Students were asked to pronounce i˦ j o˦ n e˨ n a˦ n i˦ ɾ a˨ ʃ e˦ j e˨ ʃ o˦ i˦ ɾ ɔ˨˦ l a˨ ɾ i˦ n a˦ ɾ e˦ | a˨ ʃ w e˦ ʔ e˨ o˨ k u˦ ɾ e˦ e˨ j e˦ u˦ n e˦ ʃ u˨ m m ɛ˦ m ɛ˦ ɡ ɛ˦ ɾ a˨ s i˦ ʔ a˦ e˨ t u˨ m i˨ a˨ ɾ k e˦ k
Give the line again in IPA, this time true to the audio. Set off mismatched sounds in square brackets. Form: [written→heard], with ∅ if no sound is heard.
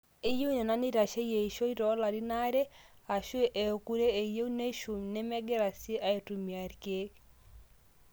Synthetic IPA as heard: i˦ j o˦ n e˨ n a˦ n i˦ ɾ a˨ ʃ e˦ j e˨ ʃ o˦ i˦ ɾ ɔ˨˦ l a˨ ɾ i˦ n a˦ ɾ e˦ | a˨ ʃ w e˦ ʔ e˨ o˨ k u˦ ɾ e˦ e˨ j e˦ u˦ n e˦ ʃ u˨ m [m→n] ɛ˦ m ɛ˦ ɡ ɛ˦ ɾ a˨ s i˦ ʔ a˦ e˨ t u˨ m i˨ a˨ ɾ k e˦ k

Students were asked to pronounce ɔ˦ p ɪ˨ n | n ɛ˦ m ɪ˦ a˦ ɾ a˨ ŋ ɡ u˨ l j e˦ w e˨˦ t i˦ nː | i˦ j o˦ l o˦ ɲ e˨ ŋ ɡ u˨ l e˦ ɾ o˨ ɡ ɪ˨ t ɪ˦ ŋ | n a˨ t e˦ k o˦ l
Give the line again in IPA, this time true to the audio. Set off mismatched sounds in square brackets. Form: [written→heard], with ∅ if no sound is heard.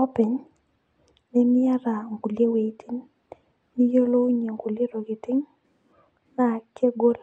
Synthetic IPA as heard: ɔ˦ p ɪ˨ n | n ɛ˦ m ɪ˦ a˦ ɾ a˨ ŋ ɡ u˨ l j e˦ w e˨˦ t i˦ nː | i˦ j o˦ l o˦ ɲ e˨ ŋ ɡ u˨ l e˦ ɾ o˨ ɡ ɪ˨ t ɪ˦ ŋ | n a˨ [t→k] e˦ [k→ɡ] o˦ l

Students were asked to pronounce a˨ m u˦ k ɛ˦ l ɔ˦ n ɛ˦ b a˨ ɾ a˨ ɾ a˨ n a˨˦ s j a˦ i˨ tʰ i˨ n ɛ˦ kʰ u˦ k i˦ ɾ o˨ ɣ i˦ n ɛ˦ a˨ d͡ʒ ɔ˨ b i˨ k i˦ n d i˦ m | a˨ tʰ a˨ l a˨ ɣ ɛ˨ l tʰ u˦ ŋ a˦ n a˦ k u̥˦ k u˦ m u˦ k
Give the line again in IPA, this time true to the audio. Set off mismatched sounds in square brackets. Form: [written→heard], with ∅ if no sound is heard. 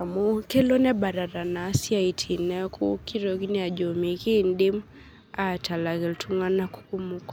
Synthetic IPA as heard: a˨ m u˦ k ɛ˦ l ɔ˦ n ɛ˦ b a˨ ɾ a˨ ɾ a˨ n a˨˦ s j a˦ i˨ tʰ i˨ n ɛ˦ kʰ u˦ k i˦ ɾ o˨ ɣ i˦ n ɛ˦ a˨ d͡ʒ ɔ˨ [b→m] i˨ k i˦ n d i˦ m | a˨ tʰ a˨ l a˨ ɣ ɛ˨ l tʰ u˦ ŋ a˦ n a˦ k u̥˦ k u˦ m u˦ k

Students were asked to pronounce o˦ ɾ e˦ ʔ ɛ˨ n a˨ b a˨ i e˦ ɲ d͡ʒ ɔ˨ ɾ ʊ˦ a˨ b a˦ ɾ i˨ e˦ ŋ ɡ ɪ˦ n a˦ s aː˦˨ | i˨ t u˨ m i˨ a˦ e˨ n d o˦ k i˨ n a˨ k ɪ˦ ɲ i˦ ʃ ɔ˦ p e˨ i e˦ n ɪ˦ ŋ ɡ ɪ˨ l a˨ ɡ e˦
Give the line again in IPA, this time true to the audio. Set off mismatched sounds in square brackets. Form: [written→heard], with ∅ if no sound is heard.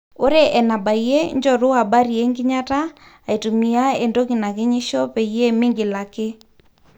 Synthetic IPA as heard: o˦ ɾ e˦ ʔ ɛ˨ n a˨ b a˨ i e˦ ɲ d͡ʒ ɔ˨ ɾ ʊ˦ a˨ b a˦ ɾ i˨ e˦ ŋ ɡ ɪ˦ [n→ɲ] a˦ [s→t] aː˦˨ | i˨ t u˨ m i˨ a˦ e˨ n d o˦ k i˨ n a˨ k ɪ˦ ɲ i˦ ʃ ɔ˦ p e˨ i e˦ [n→m] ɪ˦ ŋ ɡ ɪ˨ l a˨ [ɡ→k] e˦

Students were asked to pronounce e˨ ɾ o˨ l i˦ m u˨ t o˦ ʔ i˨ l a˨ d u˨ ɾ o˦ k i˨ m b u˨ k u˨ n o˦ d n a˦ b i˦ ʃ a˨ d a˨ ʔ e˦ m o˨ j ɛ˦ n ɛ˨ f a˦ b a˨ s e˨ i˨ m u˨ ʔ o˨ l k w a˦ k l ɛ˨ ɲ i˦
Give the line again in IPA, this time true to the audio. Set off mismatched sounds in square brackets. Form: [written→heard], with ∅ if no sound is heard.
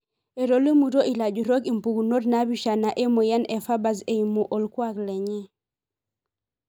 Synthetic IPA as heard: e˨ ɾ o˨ l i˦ m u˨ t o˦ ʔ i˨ l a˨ [d→d͡ʒ] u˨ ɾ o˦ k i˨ m [b→p] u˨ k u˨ n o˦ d n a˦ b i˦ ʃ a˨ [d→n] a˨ ʔ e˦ m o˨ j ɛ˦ n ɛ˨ f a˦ b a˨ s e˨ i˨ m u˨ ʔ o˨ l k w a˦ k l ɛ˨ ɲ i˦

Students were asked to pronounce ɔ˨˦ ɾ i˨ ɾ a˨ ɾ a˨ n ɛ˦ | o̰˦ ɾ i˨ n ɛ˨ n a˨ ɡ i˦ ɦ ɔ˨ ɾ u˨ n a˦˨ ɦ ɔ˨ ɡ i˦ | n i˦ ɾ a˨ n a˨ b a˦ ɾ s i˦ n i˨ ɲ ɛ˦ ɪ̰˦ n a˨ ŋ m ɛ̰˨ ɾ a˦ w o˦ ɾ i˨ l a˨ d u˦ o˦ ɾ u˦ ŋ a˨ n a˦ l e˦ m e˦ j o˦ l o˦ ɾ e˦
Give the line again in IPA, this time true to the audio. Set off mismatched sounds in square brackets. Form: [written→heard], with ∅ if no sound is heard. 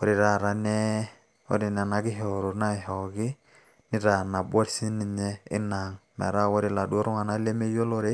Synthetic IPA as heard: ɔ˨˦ ɾ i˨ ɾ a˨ ɾ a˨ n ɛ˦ | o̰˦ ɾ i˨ n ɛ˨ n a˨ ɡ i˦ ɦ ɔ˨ ɾ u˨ n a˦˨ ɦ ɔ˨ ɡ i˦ | n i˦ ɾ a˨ n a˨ b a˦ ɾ s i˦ n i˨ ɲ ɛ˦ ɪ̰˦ n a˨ ŋ m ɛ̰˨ ɾ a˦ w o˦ ɾ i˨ l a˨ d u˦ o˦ ɾ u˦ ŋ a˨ n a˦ l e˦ m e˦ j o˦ l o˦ ɾ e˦

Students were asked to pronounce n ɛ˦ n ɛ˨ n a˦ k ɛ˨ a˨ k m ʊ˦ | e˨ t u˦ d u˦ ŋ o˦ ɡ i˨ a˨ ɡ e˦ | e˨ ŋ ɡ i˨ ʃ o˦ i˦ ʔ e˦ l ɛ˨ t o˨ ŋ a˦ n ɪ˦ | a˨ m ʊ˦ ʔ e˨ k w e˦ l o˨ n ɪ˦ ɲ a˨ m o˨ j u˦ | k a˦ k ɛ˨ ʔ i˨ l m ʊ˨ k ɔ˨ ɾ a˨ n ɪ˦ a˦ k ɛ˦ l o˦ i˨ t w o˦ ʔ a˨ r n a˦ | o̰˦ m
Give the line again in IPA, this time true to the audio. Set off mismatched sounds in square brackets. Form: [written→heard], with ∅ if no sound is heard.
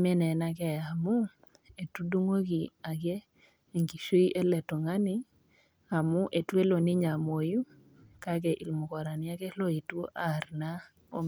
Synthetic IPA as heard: [n→m] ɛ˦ n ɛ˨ n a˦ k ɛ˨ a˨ [k→∅] m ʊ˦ | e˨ t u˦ d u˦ ŋ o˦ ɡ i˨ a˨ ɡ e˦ | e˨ ŋ ɡ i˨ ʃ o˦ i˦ ʔ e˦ l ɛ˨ t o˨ ŋ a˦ n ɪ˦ | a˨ m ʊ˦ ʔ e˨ [k→t] w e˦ l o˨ n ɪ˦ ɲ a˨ m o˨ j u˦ | k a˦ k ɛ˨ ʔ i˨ l m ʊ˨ k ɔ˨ ɾ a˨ n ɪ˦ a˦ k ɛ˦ l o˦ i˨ t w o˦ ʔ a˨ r n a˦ | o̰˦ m

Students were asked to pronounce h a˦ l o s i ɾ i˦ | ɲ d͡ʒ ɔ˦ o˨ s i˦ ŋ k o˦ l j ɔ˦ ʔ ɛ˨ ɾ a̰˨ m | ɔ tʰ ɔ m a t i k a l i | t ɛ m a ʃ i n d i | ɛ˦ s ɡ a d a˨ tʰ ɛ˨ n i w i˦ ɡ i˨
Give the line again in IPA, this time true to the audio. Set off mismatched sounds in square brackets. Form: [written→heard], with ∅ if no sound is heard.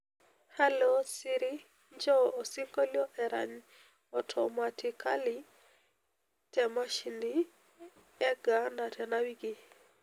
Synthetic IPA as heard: h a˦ l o s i ɾ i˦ | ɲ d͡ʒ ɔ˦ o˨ s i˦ ŋ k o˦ l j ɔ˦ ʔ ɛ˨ ɾ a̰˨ [m→ɲ] | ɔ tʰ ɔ m a t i k a l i | t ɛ m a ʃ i n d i | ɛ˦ [s→∅] ɡ a [d→n] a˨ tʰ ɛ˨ n [i→a] w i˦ ɡ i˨

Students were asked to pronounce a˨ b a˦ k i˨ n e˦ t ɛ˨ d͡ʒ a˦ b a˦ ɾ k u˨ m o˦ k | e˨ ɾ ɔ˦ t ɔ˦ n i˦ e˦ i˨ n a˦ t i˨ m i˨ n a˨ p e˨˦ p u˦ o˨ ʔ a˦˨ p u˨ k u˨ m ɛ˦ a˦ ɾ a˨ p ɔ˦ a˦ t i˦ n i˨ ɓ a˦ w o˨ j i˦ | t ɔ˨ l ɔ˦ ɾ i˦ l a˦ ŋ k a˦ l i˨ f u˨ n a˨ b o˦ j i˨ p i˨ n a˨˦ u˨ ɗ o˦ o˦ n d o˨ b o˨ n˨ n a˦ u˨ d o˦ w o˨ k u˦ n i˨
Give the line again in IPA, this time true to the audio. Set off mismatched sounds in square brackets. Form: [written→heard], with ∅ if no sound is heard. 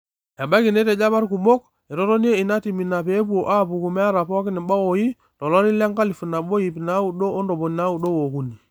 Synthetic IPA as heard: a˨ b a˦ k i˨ n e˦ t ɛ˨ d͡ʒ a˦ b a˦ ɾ k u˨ m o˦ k | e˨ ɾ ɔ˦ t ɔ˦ n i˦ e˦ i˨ n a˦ t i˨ m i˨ n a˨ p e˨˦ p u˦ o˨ ʔ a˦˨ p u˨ k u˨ m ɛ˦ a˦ ɾ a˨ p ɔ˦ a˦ [t→k] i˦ n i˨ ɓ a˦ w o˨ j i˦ | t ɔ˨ l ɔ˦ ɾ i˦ l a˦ ŋ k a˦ l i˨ f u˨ n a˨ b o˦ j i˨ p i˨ n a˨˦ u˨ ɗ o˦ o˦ n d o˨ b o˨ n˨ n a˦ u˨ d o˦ w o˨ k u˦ n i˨

